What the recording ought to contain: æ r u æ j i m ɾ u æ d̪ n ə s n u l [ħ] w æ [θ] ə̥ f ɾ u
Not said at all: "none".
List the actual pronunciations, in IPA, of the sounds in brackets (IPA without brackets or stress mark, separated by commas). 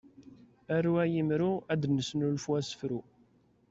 f, s